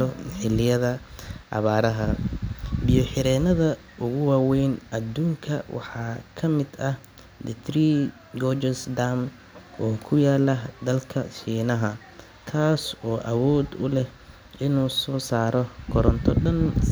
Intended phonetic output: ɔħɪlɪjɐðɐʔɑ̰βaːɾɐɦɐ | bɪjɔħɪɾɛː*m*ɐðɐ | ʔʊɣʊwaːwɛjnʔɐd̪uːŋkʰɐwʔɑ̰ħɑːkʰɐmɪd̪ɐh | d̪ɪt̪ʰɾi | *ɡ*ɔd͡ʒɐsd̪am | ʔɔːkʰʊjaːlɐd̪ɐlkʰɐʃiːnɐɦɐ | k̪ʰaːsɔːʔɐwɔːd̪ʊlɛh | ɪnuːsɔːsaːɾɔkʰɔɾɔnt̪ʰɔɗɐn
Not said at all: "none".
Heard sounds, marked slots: n, ɡ

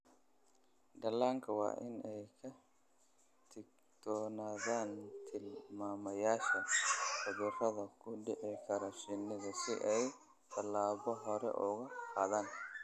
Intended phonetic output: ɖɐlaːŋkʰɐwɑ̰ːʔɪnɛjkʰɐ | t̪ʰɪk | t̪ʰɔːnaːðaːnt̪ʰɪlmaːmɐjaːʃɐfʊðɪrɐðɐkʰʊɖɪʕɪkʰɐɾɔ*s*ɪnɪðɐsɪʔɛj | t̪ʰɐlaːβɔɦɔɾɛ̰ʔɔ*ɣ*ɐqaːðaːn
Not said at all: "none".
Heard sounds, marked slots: ʃ, ɣ

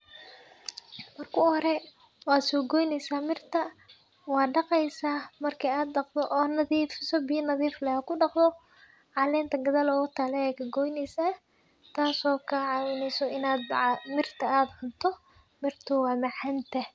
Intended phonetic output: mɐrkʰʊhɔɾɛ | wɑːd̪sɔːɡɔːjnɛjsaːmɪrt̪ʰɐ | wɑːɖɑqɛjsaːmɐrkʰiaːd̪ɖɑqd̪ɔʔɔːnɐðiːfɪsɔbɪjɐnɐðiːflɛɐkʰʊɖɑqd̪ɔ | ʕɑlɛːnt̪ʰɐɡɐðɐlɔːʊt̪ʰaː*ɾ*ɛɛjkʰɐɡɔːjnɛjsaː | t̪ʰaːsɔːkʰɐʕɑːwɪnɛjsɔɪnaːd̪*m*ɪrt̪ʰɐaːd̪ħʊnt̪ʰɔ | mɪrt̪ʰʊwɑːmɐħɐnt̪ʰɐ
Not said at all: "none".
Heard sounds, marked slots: l, m

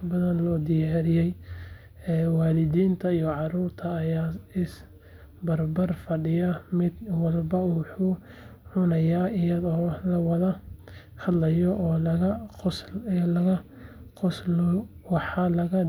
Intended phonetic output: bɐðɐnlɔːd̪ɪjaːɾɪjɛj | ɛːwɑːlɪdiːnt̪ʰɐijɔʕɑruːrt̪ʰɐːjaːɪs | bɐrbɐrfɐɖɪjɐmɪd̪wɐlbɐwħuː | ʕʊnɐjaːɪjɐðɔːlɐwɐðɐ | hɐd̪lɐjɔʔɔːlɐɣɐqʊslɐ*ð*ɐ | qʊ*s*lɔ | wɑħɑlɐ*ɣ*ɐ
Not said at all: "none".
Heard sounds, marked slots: ɣ, s, ɣ

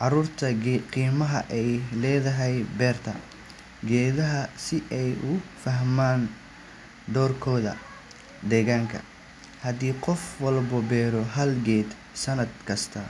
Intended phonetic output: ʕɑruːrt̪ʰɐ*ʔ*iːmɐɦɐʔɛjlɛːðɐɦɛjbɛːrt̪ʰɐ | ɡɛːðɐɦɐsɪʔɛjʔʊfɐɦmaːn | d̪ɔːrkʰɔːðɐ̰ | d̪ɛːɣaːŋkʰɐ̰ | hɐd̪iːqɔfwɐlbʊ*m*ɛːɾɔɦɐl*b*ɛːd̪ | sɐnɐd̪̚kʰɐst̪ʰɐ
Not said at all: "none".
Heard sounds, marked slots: q, b, ɡ

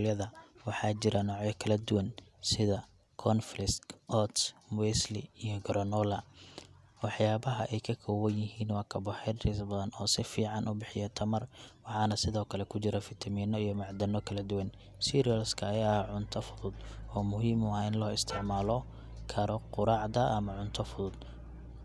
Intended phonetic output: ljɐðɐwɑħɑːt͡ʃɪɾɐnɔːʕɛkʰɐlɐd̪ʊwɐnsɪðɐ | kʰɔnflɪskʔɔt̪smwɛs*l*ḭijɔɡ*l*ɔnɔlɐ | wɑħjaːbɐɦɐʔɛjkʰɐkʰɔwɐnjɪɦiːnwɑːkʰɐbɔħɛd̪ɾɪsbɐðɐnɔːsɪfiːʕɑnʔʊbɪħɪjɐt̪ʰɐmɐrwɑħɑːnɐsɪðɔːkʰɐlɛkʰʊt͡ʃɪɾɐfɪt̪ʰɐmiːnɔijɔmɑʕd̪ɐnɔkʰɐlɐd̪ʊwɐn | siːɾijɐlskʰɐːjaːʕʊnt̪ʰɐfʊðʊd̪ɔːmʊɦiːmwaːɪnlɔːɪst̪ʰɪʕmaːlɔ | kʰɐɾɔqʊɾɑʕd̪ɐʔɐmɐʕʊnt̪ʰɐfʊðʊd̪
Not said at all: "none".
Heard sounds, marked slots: l, ɾ

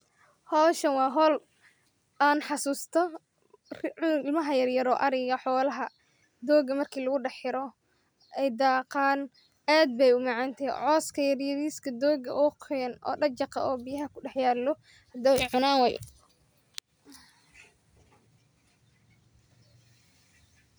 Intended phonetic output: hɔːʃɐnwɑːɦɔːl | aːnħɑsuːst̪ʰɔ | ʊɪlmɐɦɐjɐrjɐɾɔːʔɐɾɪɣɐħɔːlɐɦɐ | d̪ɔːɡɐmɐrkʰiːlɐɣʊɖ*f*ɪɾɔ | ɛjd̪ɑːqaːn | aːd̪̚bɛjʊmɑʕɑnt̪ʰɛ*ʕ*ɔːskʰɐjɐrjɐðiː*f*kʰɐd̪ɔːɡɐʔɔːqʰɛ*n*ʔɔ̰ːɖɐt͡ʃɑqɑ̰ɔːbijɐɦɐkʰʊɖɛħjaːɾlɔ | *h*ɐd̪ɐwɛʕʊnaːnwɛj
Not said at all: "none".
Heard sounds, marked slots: ħ, ʕ, s, n, h

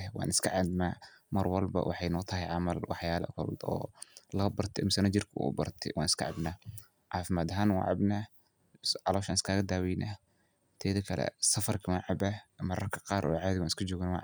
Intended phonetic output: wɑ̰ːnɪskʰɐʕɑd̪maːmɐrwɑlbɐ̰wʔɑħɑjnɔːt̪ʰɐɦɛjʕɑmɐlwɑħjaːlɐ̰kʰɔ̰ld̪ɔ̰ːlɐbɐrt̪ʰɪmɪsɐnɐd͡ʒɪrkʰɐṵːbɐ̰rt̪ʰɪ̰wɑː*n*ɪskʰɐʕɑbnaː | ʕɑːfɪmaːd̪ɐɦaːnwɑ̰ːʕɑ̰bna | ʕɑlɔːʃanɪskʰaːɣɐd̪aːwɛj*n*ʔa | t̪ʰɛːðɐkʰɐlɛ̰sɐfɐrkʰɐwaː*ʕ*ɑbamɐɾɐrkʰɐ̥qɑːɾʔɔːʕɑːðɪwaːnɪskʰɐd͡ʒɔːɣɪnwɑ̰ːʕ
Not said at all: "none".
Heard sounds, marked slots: n, n, ʕ

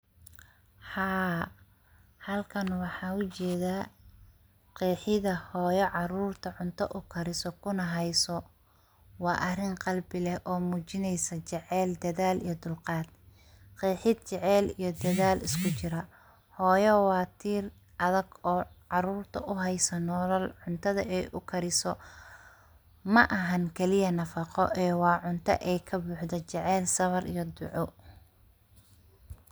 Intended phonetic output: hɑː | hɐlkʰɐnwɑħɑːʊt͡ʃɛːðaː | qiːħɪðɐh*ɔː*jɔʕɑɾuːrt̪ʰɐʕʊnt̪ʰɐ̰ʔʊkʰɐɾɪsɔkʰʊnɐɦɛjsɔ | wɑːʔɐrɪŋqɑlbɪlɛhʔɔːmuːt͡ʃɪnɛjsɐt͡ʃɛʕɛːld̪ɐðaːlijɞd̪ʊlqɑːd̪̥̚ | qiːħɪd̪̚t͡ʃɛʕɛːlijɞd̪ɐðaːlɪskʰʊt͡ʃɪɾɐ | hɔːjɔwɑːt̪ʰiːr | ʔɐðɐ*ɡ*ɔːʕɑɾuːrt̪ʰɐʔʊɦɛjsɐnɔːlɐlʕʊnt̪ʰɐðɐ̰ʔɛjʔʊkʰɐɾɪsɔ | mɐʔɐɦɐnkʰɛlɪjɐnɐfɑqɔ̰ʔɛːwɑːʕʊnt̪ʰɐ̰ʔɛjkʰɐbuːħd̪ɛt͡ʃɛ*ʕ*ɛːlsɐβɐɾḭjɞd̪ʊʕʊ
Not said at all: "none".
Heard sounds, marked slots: ɔː, ɡ, ʕ

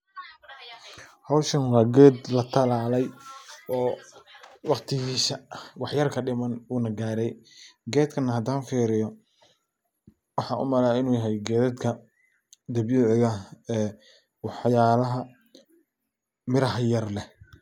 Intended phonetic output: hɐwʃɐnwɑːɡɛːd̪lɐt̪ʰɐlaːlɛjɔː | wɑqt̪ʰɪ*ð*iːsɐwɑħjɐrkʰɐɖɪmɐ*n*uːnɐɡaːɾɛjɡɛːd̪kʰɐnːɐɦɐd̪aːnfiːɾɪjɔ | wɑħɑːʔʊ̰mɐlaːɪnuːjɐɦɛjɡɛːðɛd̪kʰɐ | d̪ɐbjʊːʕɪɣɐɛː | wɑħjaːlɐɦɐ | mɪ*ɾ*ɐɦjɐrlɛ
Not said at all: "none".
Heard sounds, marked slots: ɣ, n, ɾ

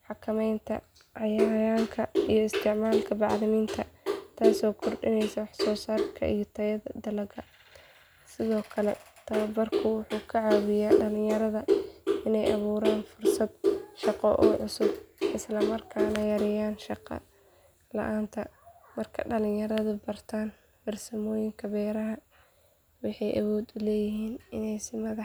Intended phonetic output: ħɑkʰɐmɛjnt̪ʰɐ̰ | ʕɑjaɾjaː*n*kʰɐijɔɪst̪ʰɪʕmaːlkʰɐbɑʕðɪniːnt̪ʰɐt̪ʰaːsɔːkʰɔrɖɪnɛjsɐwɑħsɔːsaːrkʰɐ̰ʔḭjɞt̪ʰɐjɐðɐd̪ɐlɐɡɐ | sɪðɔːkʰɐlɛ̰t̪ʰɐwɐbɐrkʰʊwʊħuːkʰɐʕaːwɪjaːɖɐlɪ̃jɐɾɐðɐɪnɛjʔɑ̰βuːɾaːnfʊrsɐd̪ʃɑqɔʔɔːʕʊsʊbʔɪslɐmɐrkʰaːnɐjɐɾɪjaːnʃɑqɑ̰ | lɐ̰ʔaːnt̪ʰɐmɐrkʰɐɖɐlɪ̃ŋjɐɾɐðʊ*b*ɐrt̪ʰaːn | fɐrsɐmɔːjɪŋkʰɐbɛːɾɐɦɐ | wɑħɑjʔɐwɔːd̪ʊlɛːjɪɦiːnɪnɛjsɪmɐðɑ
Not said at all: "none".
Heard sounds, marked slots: ŋ, b

